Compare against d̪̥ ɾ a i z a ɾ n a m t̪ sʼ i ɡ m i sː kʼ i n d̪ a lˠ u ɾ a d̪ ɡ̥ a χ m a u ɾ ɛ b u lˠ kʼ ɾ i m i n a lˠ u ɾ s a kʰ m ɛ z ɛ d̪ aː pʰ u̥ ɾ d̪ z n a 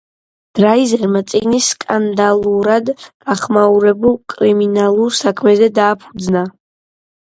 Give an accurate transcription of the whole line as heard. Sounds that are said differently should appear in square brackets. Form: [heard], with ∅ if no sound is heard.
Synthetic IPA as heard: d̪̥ ɾ a i z [ɛ] ɾ [m] a [∅] t̪ sʼ i ɡ [n] i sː kʼ [a] n d̪ a lˠ u ɾ a d̪ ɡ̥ a χ m a u ɾ ɛ b u lˠ kʼ ɾ i m i n a lˠ u ɾ s a kʰ m ɛ z ɛ d̪ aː pʰ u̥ [∅] d̪ z n a